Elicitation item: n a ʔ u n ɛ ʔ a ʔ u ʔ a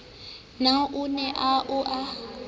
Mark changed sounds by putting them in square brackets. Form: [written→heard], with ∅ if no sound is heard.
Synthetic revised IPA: n a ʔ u n ɛ ʔ a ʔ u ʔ a